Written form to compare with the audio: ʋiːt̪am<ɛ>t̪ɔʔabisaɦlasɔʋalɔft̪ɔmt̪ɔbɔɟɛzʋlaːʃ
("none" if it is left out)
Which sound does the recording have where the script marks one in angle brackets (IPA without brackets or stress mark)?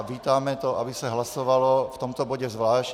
ɛ